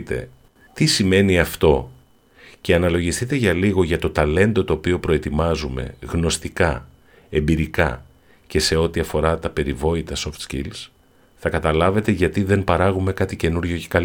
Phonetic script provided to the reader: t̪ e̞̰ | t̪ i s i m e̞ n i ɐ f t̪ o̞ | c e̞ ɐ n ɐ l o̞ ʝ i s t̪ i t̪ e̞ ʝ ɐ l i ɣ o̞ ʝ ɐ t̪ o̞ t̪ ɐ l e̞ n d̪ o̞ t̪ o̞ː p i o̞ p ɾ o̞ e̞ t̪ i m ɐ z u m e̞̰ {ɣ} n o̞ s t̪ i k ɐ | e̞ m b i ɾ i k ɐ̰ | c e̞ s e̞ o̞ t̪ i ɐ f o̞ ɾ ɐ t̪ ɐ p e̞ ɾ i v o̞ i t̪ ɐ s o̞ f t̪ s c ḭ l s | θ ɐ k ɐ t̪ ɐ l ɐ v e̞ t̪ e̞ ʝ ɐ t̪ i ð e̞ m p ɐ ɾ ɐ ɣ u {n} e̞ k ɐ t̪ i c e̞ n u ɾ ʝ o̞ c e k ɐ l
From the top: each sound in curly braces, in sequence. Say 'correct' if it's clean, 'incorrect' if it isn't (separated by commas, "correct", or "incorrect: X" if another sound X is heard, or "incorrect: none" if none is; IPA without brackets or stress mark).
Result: correct, incorrect: m